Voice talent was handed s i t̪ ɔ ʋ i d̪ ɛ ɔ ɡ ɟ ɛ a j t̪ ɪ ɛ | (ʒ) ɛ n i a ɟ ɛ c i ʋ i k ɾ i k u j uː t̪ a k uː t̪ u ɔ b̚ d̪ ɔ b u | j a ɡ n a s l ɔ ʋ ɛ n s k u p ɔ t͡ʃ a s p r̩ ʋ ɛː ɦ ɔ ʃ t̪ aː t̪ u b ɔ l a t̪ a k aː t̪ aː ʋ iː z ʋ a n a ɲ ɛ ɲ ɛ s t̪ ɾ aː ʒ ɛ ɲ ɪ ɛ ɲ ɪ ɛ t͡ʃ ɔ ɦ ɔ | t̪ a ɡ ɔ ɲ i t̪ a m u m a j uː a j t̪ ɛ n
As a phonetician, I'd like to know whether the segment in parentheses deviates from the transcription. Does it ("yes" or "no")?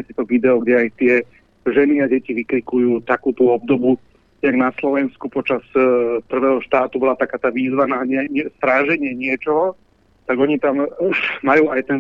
no